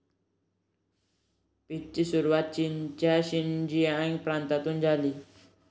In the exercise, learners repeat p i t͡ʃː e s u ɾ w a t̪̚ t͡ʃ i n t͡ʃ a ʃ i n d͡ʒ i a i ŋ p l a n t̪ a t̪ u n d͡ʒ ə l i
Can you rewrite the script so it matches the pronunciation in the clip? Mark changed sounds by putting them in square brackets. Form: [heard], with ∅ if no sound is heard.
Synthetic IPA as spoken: p i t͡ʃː [i] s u ɾ w a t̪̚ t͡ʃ i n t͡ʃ a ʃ i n d͡ʒ i a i ŋ p [ɾ] a n t̪ a t̪ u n d͡ʒ [a] l i